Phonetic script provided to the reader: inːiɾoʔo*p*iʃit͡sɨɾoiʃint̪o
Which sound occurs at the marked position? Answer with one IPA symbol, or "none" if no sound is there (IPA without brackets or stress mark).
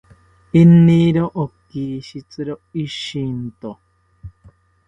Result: k